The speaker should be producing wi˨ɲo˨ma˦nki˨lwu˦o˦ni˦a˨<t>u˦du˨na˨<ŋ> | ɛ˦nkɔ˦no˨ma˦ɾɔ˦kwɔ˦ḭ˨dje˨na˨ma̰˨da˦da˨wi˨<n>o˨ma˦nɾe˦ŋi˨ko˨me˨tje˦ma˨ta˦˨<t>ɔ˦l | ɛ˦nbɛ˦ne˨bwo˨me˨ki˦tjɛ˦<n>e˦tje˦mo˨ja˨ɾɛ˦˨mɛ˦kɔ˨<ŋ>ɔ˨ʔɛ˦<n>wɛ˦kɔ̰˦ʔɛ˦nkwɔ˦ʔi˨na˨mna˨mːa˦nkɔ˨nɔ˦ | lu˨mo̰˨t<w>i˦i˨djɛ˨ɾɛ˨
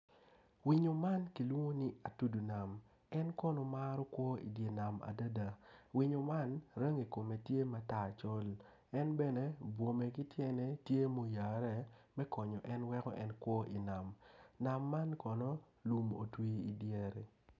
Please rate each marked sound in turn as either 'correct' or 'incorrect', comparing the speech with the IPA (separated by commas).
correct, incorrect, incorrect, incorrect, correct, incorrect, correct, correct